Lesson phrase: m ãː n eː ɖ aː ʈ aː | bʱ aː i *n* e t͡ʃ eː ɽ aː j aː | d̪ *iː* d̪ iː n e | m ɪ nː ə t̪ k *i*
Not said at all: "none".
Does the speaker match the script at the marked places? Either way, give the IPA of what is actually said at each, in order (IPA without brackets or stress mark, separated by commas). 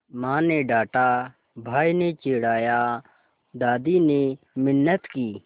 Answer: n, aː, iː